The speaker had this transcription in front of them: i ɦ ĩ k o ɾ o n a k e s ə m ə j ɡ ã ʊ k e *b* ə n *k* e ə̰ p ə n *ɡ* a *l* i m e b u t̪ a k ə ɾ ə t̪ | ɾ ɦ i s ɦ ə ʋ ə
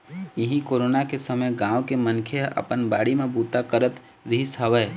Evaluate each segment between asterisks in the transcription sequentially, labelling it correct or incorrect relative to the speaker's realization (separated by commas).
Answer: incorrect, incorrect, incorrect, incorrect